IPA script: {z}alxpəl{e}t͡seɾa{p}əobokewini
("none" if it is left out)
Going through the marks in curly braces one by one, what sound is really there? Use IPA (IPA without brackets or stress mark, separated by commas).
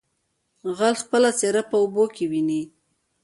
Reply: ɣ, a, p